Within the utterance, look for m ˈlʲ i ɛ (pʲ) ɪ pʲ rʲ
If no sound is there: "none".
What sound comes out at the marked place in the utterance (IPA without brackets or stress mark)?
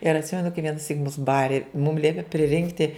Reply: pʲ